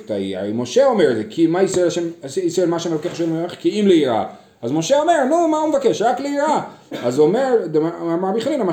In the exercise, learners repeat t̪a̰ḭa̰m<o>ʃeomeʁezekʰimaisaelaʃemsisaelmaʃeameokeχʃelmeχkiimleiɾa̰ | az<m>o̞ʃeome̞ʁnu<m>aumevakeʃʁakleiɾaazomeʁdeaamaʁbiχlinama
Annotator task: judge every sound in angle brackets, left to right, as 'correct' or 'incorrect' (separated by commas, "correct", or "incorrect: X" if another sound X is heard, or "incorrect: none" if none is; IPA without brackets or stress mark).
correct, correct, correct